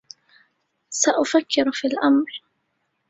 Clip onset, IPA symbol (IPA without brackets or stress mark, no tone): s